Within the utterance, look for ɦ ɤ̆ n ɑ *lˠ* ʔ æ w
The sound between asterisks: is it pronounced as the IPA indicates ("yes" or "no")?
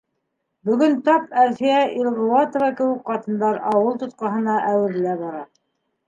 no